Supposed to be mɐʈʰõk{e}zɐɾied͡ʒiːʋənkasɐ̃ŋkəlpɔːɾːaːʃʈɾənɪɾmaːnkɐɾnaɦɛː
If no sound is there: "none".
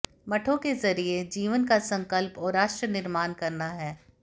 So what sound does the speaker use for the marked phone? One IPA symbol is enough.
e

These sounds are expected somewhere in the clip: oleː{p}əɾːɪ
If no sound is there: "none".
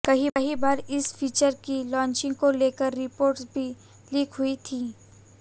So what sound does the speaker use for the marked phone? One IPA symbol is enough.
k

